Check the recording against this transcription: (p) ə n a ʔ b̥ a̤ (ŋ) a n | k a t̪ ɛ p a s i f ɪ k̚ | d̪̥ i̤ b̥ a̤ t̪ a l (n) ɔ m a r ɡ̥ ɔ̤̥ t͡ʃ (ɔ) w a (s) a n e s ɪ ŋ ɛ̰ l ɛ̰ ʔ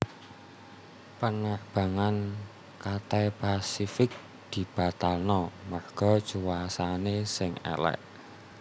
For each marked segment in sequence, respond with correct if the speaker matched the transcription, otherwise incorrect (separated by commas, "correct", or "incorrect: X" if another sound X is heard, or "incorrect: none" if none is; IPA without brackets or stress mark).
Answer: correct, correct, correct, incorrect: u, correct